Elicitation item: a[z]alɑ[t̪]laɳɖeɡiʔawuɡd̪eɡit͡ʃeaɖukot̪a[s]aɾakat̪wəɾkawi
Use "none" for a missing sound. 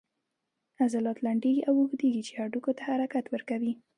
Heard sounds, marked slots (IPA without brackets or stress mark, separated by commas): z, t̪, h